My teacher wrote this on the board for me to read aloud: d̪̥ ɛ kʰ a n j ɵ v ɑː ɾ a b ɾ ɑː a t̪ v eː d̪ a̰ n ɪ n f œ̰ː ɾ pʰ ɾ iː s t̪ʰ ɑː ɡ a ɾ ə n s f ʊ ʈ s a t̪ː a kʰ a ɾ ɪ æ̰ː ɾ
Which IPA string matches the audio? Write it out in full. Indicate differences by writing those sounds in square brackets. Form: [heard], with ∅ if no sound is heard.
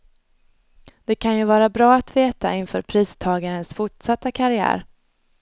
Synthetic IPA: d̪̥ ɛ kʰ a n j ɵ v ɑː ɾ a b ɾ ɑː a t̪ v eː [t̪] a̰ [∅] ɪ n f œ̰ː ɾ pʰ ɾ iː s t̪ʰ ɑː ɡ a ɾ ə n s f ʊ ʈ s a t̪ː a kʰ a ɾ ɪ æ̰ː ɾ